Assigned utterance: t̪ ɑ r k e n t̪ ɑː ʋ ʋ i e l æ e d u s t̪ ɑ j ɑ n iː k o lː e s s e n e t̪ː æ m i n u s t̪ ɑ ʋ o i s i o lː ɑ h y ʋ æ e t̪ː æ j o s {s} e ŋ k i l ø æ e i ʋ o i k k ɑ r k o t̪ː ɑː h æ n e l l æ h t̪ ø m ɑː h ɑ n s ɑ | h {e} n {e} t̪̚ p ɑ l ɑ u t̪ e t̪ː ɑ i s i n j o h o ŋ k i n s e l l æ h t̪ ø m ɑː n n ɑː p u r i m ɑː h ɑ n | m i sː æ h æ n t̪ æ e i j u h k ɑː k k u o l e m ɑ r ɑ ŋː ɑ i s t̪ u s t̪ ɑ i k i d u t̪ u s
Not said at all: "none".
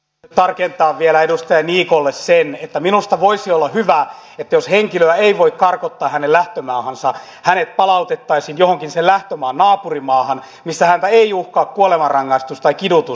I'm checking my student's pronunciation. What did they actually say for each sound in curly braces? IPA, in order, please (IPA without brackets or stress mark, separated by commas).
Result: h, æ, e